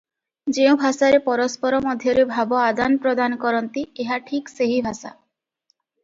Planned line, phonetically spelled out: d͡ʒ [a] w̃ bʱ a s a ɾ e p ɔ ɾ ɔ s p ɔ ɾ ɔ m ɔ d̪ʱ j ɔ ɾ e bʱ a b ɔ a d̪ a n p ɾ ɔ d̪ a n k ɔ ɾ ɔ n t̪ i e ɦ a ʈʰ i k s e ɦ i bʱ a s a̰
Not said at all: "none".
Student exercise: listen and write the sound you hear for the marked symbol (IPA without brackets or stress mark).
e